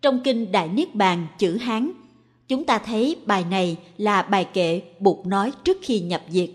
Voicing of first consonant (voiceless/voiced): voiceless